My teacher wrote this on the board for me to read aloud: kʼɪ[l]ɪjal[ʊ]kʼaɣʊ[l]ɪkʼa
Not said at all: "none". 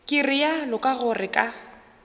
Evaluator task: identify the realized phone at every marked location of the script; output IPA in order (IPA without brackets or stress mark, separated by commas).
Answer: r, ʊ, r